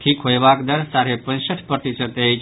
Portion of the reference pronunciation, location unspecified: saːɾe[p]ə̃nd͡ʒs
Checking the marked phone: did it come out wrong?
no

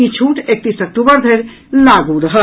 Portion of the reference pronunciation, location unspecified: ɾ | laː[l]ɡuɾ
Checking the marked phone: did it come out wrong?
yes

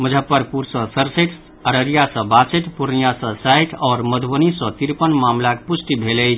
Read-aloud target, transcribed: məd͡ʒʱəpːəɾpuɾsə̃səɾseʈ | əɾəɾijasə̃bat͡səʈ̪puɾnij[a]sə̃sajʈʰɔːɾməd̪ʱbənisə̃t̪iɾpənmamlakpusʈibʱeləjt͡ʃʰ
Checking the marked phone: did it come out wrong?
no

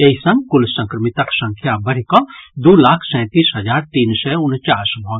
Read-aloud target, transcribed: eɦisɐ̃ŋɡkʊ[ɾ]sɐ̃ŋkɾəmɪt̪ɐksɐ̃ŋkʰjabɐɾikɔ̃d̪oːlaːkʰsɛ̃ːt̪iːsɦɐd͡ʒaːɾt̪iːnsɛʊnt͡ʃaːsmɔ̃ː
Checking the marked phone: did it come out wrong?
yes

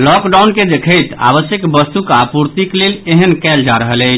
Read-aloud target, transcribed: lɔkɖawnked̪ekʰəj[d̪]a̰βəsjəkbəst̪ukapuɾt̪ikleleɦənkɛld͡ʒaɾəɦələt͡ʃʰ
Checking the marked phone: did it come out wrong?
yes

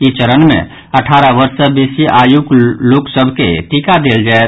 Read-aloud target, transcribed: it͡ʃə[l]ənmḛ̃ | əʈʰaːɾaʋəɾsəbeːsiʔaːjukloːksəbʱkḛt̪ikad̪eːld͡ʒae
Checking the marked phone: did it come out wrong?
yes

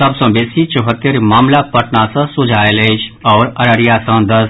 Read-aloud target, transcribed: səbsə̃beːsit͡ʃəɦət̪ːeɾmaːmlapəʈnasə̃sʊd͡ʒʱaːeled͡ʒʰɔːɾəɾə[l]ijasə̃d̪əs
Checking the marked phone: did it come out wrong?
yes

